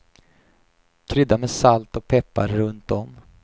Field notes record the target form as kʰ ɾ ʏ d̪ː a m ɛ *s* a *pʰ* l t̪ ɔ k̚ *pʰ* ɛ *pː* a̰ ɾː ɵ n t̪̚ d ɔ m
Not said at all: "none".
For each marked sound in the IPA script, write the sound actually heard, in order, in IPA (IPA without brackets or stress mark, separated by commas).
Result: s, none, pʰ, pː